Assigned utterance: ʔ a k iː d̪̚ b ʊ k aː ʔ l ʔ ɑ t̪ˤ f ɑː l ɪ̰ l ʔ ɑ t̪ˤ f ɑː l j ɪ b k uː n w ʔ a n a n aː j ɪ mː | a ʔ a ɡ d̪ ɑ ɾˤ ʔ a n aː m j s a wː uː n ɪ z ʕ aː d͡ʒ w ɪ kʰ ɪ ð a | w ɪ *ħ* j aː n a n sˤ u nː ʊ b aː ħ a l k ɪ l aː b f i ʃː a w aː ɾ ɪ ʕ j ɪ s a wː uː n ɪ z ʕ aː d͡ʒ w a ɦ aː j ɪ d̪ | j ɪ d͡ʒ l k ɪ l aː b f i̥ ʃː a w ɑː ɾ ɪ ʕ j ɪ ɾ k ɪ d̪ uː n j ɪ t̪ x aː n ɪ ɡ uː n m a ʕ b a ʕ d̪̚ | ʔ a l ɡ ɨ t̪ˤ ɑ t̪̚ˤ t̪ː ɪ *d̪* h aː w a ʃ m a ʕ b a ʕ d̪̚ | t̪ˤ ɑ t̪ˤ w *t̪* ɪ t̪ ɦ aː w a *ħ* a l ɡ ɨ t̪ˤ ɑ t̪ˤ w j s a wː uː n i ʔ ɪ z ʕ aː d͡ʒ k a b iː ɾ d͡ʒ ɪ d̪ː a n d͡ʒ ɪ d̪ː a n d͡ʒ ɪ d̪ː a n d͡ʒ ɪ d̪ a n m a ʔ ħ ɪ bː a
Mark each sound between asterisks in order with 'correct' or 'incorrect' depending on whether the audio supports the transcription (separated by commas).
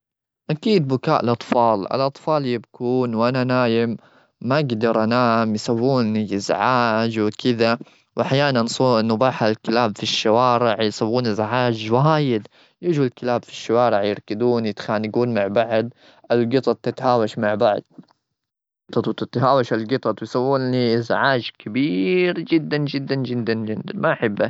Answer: correct, incorrect, correct, incorrect